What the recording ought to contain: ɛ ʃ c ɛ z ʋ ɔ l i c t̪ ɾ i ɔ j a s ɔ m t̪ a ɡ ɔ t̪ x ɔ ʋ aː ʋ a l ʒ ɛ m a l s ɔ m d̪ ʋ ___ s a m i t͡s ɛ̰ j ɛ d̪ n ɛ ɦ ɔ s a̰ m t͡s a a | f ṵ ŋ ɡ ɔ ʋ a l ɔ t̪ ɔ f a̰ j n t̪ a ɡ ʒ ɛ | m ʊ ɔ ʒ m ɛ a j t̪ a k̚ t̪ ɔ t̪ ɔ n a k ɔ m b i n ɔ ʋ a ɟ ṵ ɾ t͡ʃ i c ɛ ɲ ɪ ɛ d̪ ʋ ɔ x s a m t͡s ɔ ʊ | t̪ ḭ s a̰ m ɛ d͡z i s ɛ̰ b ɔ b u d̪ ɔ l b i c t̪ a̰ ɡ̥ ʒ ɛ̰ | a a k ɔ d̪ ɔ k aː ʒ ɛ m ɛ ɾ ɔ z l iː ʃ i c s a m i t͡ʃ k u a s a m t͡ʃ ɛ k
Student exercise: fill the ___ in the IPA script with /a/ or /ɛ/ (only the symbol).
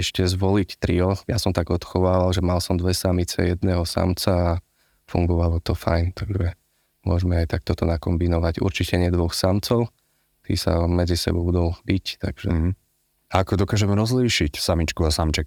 ɛ